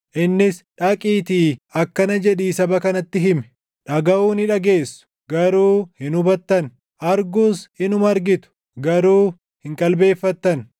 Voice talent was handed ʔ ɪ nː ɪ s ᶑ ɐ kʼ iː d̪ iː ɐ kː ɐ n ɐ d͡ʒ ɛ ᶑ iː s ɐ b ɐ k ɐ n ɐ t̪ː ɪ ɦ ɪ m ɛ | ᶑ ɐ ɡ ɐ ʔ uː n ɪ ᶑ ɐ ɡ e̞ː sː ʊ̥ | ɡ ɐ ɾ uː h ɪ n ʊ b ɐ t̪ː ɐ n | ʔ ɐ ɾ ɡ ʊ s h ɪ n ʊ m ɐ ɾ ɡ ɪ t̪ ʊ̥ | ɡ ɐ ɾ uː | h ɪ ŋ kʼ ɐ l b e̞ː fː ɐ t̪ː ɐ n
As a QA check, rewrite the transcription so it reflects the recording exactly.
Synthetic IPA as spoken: ʔ ɪ nː ɪ s ᶑ ɐ kʼ iː t̪ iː ɐ kː ɐ n ɐ d͡ʒ ɛ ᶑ iː s ɐ b ɐ k ɐ n ɐ t̪ː ɪ ɦ ɪ m ɛ | ᶑ ɐ ɡ ɐ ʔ uː n ɪ ᶑ ɐ ɡ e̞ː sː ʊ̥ | ɡ ɐ ɾ uː h ɪ n ʊ b ɐ t̪ː ɐ n | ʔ ɐ ɾ ɡ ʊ s h ɪ n ʊ m ɐ ɾ ɡ ɪ t̪ ʊ̥ | ɡ ɐ ɾ uː | h ɪ ŋ kʼ ɐ l b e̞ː fː ɐ t̪ː ɐ n